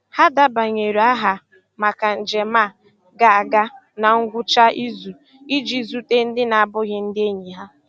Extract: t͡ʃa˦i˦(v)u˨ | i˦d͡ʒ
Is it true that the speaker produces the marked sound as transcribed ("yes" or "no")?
no